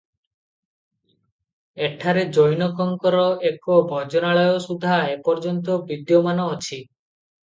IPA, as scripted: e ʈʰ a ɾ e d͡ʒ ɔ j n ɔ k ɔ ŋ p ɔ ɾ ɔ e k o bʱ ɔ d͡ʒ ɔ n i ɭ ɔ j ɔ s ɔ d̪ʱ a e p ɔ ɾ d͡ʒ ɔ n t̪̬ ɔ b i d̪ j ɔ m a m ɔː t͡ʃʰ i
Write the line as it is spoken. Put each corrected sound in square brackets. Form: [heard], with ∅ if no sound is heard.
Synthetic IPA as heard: e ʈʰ a ɾ e d͡ʒ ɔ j n ɔ k ɔ ŋ [k] ɔ ɾ ɔ e k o bʱ ɔ d͡ʒ ɔ n [a] ɭ ɔ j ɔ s [u] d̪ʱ a e p ɔ ɾ d͡ʒ ɔ n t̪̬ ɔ b i d̪ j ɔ m a [n] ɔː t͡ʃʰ i